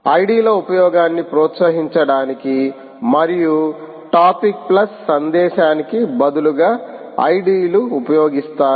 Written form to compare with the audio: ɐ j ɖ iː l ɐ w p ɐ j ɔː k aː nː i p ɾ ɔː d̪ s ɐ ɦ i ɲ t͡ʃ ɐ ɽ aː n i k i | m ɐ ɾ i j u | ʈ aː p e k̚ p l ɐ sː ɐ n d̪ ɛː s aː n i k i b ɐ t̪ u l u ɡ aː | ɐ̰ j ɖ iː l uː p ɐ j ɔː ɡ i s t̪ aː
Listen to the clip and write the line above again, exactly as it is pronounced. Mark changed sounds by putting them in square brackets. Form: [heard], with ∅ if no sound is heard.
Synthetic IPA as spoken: ɐ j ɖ iː l ɐ [u] p ɐ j ɔː [ɡ] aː nː i p ɾ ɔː [t̪] s ɐ ɦ i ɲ t͡ʃ ɐ ɽ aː n i k i | m ɐ ɾ i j u | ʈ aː p [i] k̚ p l ɐ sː ɐ n d̪ ɛː [ʃ] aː n i k i b ɐ [d̪] u l u ɡ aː | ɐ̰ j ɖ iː l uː p ɐ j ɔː ɡ i s t̪ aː